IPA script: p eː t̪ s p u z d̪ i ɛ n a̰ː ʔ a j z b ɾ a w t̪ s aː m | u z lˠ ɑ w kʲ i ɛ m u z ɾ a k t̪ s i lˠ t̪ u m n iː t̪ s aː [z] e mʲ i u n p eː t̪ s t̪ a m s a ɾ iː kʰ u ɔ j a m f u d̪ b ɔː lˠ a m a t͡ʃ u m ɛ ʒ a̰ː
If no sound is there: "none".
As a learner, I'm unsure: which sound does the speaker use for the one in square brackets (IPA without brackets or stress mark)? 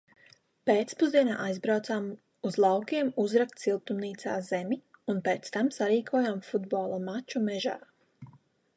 z